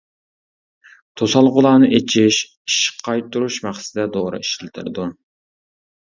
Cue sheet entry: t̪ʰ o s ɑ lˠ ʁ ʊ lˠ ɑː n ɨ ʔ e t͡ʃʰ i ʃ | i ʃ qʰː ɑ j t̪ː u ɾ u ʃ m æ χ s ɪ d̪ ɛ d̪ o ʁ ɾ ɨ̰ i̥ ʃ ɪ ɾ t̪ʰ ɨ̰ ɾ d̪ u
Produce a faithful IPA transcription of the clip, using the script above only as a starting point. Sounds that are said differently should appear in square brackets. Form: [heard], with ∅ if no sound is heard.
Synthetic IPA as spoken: t̪ʰ o s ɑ lˠ ʁ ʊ lˠ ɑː n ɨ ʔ e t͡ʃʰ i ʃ | i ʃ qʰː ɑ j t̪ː u ɾ u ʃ m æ χ s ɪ d̪ ɛ d̪ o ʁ ɾ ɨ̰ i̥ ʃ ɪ [l] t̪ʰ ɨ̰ ɾ d̪ u